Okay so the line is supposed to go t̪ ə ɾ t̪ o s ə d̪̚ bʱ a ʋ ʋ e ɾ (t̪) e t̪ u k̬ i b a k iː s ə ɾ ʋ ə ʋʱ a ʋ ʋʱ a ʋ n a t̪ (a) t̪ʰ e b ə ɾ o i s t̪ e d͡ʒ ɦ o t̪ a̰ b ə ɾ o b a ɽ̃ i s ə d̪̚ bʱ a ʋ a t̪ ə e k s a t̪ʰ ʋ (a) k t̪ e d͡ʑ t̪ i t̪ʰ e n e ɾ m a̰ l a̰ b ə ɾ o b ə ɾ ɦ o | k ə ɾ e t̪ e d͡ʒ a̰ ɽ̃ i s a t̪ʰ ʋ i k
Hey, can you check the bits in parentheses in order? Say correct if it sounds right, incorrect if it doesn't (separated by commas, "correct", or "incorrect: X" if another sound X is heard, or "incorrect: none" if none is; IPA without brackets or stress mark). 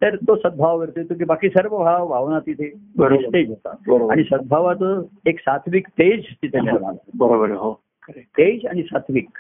correct, incorrect: i, incorrect: i